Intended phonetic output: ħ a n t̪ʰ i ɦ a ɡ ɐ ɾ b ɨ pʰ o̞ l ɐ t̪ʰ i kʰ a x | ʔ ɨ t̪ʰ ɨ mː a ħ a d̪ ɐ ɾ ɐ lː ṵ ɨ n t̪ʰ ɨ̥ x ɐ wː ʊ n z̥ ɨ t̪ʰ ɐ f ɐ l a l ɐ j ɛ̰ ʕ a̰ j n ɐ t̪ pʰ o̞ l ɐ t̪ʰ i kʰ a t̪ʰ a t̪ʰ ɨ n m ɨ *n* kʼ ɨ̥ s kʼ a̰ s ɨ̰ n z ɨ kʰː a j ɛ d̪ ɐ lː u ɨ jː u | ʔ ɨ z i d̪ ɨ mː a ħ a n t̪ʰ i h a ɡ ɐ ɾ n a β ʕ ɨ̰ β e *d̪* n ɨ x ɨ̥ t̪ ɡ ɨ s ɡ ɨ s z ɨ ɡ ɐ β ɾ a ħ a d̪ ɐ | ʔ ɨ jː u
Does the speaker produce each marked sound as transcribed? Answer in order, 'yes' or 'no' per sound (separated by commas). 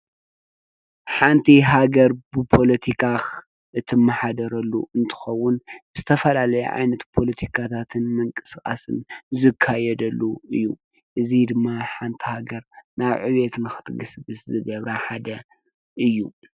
no, no